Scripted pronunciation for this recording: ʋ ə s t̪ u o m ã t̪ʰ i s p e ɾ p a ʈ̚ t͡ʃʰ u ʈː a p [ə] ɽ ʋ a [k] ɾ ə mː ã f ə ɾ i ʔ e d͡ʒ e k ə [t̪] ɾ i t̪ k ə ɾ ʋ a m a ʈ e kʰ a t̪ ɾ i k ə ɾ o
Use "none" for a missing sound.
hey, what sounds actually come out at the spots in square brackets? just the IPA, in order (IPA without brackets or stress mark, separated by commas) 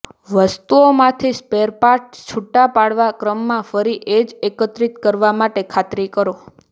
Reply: a, k, t̪